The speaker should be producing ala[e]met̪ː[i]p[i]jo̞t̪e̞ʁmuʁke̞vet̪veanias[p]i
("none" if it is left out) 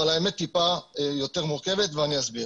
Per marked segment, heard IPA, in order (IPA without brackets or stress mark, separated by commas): e, i, a, b